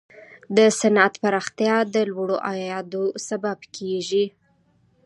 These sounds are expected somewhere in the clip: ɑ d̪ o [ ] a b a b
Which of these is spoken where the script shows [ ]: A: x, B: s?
B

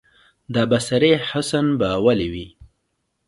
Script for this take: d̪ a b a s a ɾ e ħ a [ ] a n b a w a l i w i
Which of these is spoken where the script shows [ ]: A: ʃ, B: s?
B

